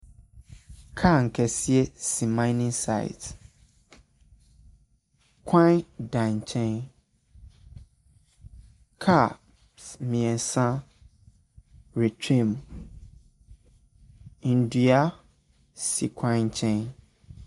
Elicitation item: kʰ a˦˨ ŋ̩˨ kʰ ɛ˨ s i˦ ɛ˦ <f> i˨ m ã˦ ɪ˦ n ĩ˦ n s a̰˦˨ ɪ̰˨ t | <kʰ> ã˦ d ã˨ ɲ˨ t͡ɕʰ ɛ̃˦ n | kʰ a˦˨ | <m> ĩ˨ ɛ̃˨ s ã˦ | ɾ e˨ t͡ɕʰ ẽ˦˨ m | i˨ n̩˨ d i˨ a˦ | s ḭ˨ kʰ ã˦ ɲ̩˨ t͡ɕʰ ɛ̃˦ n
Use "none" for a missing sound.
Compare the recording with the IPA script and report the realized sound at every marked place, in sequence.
s, kʰ, m

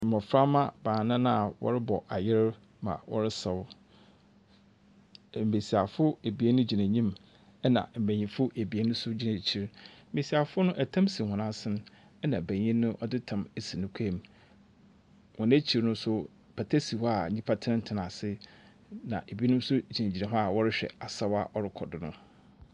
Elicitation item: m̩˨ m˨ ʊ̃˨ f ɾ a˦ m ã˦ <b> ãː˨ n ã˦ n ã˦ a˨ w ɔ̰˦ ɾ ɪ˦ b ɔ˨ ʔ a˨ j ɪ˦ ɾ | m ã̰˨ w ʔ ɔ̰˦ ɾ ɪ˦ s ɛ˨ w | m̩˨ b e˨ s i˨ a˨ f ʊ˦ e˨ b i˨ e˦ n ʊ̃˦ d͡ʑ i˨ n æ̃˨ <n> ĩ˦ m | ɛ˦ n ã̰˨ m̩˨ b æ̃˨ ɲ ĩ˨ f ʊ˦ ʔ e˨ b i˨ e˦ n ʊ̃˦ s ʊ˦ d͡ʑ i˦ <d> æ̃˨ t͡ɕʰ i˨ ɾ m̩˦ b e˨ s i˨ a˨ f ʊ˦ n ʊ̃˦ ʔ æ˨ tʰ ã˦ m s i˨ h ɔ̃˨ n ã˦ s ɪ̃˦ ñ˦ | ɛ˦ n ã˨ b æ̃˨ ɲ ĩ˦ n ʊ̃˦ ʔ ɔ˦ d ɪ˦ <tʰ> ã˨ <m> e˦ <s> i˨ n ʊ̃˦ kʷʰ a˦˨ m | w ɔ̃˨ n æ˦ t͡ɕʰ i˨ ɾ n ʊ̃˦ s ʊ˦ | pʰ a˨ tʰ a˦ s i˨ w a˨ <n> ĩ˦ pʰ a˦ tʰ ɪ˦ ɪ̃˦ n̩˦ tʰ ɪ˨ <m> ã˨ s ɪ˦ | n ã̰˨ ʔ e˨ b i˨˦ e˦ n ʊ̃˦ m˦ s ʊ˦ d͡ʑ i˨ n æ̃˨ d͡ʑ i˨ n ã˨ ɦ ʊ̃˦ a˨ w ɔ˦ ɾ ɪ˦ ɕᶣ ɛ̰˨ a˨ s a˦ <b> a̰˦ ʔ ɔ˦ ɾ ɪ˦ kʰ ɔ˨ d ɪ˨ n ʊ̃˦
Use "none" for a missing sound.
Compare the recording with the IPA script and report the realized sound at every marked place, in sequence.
b, ɲ, n, tʰ, m, s, ɲ, n, w

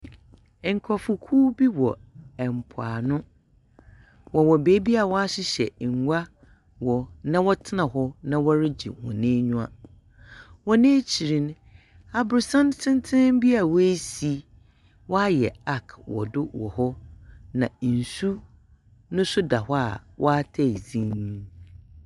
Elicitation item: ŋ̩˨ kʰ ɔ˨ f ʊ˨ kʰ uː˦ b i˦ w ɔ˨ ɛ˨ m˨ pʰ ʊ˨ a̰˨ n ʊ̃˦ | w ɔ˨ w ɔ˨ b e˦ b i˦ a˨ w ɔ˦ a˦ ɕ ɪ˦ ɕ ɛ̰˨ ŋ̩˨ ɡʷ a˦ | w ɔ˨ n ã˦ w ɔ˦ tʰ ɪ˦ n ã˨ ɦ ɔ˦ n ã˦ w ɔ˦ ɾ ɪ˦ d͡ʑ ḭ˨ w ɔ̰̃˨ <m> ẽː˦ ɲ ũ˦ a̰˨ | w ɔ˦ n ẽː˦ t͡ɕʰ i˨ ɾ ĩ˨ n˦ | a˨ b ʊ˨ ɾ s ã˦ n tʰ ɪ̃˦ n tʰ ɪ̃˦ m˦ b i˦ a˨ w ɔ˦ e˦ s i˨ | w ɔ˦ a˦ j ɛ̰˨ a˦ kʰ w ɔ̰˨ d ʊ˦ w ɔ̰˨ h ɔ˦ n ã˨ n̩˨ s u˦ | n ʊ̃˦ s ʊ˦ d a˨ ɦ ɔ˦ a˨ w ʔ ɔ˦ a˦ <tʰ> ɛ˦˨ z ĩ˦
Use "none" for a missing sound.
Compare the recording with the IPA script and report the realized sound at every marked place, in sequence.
n, tʰ

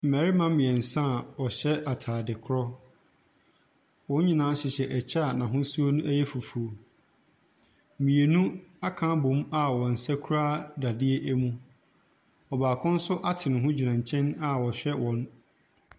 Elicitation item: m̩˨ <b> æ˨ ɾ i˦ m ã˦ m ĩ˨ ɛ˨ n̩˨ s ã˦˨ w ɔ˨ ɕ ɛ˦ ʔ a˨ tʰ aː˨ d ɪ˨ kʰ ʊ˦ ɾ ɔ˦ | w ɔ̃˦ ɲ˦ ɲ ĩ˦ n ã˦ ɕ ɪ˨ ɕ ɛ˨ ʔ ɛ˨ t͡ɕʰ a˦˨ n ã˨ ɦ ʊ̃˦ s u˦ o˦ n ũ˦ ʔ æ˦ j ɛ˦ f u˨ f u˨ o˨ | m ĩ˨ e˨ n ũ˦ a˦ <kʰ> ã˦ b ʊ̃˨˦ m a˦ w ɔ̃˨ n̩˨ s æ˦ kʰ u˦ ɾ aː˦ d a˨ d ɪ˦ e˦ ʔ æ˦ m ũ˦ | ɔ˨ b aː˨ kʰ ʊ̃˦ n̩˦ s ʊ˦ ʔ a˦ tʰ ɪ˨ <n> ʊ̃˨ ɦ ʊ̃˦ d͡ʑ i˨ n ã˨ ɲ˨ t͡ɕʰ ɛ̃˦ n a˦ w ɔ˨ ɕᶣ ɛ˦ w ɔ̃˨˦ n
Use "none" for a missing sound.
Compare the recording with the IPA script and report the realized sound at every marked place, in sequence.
m, kʰ, n

